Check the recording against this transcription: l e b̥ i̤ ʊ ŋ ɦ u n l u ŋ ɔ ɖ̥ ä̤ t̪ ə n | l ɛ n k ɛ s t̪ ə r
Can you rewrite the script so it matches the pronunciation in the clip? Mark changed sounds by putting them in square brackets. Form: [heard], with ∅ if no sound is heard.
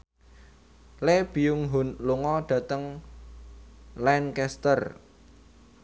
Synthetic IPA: l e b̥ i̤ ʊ ŋ ɦ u n l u ŋ ɔ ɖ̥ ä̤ t̪ ə [ŋ] | l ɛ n k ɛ s t̪ ə r

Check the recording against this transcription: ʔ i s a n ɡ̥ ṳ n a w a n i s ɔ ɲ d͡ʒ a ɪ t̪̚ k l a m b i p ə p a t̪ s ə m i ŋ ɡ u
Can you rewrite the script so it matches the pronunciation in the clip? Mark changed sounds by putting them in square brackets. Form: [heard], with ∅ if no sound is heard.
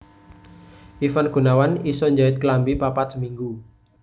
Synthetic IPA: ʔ i [f] a n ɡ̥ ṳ n a w a n i s ɔ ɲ d͡ʒ a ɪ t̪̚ k l a m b i p [a] p a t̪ s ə m i ŋ ɡ u

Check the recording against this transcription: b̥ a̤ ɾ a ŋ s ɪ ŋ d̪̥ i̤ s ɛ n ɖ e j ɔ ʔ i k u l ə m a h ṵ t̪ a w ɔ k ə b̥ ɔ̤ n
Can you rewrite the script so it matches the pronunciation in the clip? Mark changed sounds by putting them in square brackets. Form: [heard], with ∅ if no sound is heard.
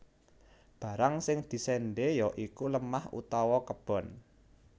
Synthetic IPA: b̥ a̤ ɾ a ŋ s ɪ ŋ d̪̥ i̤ s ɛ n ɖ e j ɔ ʔ i k u l ə m a h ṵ t̪ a w ɔ k ə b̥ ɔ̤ n

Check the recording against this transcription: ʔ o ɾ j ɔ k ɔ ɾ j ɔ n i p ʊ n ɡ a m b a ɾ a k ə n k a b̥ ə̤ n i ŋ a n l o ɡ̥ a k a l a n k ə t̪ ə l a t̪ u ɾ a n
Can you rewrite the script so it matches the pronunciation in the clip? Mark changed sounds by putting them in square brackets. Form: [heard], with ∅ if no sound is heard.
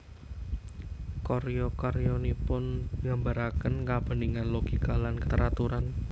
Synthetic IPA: [k] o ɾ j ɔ k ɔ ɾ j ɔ n i p ʊ n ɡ a m b a ɾ a k ə n k a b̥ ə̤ n i ŋ a n l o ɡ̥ [i] k a l a n k ə t̪ ə [ɾ] a t̪ u ɾ a n

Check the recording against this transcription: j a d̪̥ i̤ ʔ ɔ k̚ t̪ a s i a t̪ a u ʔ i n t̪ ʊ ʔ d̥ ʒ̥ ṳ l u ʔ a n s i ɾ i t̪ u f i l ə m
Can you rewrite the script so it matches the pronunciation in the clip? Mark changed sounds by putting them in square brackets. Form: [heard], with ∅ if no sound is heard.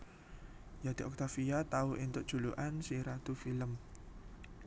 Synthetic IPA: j a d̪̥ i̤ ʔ ɔ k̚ t̪ a [f] i a t̪ a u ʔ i n t̪ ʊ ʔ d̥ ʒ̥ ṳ l u ʔ a n s i ɾ [a] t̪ u f i l ə m

